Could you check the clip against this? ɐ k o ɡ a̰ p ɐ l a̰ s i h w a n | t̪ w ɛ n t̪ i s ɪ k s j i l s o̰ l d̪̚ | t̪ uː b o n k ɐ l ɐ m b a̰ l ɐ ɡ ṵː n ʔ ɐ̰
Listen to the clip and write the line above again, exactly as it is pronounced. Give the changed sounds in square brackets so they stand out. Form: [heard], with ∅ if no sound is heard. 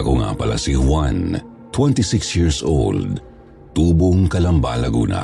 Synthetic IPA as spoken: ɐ k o [ŋ] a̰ p ɐ l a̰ s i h w a n | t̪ w ɛ n t̪ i s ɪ k s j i [ɹ] s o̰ l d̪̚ | t̪ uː b o [ŋ] k ɐ l ɐ m b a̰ l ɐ ɡ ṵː n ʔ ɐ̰